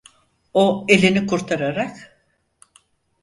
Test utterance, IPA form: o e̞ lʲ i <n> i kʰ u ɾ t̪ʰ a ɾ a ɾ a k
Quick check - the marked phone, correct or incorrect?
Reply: correct